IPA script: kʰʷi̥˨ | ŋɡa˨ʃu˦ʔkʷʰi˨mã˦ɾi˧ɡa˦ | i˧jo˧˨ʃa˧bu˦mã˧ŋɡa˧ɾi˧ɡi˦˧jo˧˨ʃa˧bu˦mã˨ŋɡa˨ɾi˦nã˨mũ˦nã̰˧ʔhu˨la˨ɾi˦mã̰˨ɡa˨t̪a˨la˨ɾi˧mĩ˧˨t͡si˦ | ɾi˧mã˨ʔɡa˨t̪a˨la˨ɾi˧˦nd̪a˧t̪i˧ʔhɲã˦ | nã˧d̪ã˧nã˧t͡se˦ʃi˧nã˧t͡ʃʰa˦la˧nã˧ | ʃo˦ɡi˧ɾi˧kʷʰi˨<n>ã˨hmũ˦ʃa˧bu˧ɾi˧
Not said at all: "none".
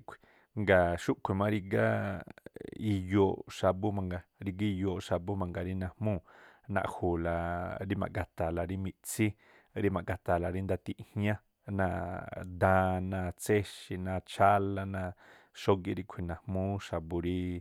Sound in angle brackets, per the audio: n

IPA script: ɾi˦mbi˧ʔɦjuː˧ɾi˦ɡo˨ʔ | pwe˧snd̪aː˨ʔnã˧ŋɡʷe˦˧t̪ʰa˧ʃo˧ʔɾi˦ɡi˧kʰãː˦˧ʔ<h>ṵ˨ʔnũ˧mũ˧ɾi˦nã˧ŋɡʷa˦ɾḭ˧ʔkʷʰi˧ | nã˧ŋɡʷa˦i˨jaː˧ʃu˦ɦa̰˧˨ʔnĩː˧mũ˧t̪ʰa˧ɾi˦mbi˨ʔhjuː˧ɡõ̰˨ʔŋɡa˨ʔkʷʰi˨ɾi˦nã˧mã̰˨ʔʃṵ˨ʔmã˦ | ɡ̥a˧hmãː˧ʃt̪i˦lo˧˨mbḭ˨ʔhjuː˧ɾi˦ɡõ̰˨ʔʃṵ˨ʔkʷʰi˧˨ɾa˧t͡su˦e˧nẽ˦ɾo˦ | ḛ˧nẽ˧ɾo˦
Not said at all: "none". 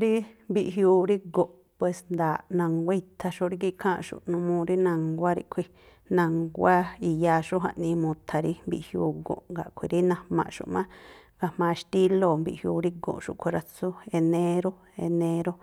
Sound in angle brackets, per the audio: ʃ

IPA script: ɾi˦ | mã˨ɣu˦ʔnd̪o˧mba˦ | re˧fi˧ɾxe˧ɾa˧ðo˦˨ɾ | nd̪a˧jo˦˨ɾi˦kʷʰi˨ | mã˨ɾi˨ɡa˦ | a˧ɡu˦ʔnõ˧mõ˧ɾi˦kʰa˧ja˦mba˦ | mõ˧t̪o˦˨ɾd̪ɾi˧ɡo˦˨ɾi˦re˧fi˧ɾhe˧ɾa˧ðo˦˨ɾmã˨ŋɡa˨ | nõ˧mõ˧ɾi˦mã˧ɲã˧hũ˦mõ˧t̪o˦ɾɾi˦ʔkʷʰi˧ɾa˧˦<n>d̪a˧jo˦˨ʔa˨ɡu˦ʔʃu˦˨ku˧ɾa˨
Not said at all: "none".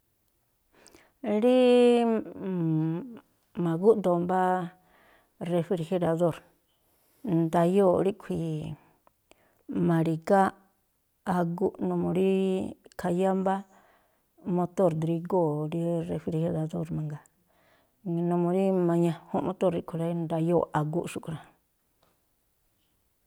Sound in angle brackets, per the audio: n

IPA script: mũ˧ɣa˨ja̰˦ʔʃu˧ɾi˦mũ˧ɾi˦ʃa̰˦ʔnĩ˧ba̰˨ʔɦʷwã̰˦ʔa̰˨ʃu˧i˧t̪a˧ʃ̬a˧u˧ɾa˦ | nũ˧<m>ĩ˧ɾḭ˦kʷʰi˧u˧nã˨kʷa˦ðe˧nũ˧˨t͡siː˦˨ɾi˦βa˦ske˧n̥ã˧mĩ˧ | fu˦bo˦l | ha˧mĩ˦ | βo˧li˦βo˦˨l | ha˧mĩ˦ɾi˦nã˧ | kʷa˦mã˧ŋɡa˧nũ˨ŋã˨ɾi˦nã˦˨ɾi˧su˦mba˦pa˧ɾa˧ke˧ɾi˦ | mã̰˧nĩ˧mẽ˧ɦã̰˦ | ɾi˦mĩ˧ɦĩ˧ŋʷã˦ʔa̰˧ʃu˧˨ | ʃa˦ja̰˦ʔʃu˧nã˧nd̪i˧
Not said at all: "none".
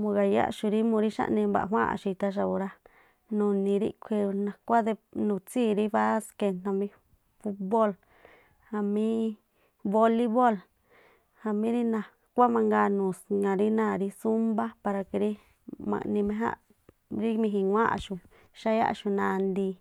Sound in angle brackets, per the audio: n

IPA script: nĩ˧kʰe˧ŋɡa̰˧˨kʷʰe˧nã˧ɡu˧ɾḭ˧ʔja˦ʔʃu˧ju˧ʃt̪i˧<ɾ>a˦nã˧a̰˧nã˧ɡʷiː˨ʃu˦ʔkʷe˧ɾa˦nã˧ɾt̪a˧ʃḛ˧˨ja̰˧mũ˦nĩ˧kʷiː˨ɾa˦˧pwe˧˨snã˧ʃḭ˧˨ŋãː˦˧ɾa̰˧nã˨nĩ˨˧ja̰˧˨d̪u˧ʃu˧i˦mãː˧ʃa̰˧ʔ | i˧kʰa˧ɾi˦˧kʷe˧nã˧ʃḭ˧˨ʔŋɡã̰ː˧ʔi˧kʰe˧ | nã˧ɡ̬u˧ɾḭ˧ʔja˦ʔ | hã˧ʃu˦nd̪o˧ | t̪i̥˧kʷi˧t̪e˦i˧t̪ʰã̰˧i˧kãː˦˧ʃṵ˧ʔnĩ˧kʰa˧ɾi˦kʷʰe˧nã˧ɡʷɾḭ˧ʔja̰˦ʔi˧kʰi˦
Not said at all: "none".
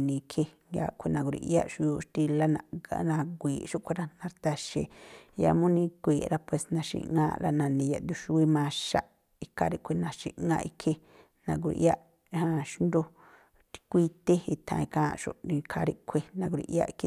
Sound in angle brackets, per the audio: l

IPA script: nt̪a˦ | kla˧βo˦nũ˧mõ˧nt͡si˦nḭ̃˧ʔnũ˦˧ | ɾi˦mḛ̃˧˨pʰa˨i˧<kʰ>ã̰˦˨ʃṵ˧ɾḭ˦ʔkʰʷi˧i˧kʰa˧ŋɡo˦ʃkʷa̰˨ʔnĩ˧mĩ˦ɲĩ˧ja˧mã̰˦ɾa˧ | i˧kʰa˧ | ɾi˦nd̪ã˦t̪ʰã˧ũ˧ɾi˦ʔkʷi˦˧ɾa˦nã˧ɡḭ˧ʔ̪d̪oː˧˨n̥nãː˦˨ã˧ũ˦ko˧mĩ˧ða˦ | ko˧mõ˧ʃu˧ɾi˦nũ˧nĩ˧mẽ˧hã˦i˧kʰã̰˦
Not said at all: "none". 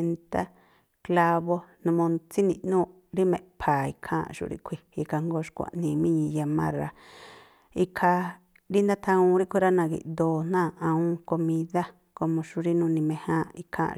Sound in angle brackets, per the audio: kʰ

